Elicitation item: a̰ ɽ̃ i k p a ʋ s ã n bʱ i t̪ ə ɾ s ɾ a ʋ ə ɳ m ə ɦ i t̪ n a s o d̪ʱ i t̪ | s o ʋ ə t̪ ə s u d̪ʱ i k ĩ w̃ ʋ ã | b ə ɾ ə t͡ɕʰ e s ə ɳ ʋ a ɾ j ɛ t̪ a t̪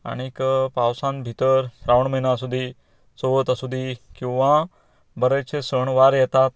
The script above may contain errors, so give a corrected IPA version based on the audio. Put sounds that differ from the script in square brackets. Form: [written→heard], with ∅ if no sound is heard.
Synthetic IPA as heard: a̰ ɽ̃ i k p a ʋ s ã n bʱ i t̪ ə ɾ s ɾ a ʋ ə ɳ m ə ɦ i [t̪→∅] n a s [o→u] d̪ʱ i [t̪→∅] | s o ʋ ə t̪ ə s u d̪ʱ i k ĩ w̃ ʋ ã | b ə ɾ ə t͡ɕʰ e s ə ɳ ʋ a ɾ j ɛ t̪ a t̪